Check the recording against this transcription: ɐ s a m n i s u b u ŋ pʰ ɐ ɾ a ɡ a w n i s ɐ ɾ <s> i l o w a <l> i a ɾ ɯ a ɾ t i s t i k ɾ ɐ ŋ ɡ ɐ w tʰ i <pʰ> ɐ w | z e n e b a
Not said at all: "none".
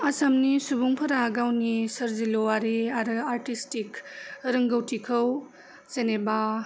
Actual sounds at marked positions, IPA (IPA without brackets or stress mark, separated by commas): z, ɾ, kʰ